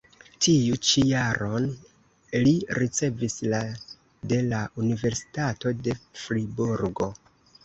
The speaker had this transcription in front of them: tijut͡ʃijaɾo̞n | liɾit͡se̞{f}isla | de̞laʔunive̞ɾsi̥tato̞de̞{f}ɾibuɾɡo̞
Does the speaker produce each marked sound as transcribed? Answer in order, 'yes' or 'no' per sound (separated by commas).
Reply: no, yes